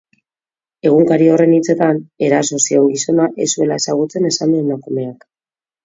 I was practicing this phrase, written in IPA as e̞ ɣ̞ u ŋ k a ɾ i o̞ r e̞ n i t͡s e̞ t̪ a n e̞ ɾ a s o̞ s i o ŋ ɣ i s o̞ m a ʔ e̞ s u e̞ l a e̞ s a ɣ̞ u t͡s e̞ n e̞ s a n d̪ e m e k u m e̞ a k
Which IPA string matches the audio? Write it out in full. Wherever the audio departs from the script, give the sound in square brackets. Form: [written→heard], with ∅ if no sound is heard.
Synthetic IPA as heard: e̞ ɣ̞ u ŋ k a ɾ i o̞ r e̞ n i t͡s e̞ t̪ a n e̞ ɾ a s o̞ s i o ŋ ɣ i s o̞ [m→n] a ʔ e̞ s u e̞ l a e̞ s a ɣ̞ u t͡s e̞ n e̞ s a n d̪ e m [e→a] k u m e̞ a k